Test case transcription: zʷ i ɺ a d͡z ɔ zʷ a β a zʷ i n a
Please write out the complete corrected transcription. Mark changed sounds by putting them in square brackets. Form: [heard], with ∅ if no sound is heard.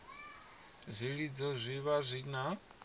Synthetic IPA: zʷ i ɺ [i] d͡z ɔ zʷ [i] β a zʷ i n a